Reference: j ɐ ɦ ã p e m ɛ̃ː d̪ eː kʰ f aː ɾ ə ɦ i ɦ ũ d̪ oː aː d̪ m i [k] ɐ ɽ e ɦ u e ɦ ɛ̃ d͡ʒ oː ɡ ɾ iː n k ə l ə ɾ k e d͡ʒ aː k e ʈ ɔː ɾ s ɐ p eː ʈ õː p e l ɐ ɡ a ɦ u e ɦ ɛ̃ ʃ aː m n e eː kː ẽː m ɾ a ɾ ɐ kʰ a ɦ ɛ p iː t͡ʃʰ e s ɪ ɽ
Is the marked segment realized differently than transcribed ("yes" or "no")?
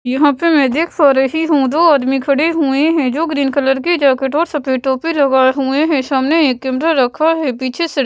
yes